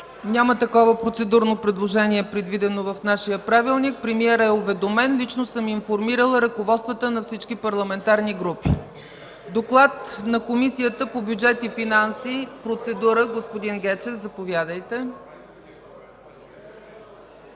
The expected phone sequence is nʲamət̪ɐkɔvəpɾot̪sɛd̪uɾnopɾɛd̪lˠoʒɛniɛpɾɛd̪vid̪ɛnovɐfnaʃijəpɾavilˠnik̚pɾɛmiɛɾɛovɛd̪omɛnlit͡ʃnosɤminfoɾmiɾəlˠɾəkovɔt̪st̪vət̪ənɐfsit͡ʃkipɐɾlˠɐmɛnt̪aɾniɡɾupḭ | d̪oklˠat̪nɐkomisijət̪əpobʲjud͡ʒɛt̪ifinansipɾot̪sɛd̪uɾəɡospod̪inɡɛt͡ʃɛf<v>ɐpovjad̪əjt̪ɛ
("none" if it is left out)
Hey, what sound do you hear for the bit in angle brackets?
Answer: z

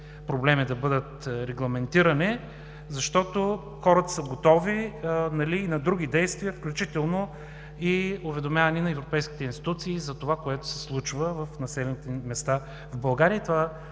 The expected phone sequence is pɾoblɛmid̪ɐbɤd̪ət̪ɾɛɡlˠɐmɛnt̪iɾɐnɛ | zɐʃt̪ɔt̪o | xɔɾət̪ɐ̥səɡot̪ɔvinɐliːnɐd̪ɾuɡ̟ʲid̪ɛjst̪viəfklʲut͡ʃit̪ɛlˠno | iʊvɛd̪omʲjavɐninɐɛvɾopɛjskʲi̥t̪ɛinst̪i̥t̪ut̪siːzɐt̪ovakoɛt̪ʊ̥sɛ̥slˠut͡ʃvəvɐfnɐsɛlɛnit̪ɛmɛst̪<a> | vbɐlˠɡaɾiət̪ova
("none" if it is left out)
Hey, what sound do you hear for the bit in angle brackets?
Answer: a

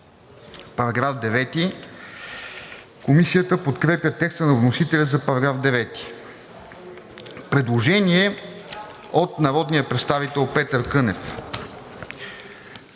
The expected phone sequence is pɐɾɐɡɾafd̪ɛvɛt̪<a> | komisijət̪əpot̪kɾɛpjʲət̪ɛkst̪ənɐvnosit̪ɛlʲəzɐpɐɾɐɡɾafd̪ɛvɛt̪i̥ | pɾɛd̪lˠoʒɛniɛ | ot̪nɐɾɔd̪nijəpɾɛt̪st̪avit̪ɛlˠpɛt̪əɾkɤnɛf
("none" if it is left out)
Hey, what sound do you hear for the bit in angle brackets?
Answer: i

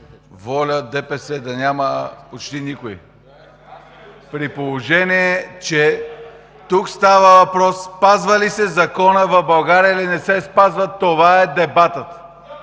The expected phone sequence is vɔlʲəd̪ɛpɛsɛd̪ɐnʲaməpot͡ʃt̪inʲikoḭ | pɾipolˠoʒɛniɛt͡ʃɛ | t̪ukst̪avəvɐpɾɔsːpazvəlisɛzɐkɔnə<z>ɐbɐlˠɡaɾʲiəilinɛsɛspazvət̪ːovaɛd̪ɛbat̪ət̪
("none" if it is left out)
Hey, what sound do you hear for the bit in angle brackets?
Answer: v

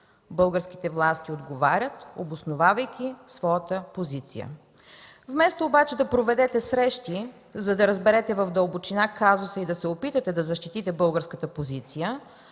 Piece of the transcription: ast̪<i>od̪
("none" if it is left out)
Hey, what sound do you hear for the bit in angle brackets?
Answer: i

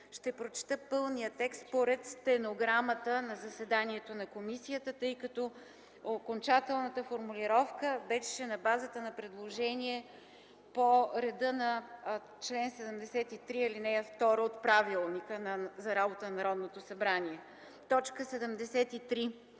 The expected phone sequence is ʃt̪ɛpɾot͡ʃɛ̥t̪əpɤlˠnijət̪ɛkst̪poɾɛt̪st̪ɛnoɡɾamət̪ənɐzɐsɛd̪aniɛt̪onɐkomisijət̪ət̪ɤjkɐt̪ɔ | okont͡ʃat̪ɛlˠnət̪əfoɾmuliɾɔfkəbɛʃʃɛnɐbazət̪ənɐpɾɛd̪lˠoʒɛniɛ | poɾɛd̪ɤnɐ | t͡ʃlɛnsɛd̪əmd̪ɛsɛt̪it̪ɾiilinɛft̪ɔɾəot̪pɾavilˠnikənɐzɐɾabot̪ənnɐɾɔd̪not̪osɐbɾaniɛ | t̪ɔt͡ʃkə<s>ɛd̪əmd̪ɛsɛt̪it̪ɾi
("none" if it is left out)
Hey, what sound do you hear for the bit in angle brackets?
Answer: s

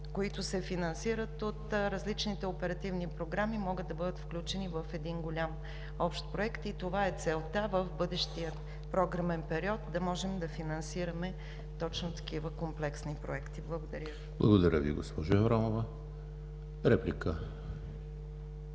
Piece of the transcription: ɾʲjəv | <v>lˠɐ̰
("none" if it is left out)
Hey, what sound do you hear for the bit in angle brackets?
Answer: b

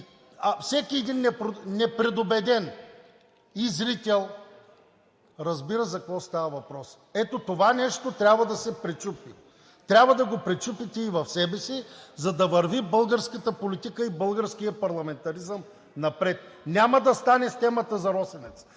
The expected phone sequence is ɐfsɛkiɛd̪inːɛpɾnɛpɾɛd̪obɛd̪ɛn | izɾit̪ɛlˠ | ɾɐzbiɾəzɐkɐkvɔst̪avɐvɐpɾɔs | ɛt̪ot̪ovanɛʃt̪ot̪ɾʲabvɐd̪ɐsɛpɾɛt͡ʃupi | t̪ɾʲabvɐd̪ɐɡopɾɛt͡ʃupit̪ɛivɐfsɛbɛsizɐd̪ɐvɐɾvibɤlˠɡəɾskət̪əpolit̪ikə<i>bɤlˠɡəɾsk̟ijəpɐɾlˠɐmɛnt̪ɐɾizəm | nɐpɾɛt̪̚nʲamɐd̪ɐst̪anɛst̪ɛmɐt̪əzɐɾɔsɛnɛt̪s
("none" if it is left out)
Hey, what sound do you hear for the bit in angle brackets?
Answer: i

